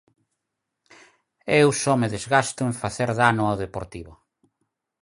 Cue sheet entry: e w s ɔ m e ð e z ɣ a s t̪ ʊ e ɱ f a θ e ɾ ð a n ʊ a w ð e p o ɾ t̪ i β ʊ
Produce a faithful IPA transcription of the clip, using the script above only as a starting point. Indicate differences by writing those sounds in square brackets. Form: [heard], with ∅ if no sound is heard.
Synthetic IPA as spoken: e w s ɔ m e ð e z ɣ a s t̪ ʊ e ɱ f a θ e ɾ ð a n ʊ a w ð e p o ɾ t̪ i β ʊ